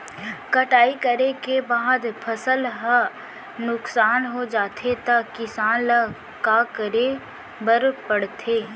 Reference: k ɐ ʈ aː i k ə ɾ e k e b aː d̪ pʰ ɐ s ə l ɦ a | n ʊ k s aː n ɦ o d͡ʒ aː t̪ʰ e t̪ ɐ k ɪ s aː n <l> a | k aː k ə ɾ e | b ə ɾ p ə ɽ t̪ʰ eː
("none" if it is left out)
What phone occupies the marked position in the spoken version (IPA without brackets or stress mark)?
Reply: l